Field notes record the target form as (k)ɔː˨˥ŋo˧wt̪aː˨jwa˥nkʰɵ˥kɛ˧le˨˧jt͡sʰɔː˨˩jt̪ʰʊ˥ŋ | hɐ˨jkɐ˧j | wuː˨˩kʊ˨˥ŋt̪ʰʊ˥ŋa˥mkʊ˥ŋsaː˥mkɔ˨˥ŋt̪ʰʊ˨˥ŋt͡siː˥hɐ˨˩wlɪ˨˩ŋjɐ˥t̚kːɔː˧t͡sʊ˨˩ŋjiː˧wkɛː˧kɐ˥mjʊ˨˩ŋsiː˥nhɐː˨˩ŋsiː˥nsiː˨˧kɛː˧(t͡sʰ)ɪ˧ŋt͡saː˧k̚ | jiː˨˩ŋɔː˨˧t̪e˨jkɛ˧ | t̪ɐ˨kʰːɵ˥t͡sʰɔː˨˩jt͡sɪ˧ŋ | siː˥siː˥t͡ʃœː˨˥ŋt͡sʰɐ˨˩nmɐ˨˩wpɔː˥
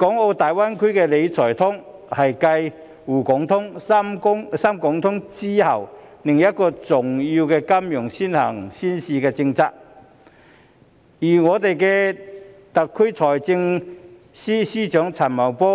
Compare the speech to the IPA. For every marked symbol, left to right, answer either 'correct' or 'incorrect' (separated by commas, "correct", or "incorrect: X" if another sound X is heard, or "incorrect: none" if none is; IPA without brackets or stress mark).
correct, incorrect: t͡s